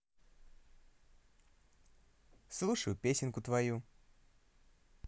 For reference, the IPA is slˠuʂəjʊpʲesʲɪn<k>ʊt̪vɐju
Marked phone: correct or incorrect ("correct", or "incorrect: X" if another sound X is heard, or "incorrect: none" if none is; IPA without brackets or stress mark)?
correct